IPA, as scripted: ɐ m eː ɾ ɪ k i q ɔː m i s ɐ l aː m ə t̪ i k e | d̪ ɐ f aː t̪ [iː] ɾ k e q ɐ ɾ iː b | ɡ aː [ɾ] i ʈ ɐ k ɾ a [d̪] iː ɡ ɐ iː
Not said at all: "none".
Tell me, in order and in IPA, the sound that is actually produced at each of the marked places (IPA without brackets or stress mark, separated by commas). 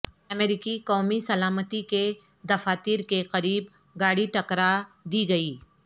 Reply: iː, ɽ, d̪